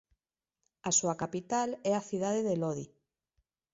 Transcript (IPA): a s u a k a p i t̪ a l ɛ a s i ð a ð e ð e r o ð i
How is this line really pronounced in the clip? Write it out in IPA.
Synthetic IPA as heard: a s u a k a p i t̪ a l ɛ a θ i ð a ð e ð e l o ð i

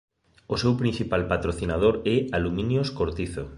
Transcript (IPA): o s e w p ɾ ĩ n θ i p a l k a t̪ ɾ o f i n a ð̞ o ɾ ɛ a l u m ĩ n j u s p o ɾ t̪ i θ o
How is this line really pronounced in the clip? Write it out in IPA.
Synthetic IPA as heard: o s e w p ɾ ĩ n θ i p a l p a t̪ ɾ o θ i n a ð̞ o ɾ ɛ a l u m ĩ n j o s k o ɾ t̪ i θ o

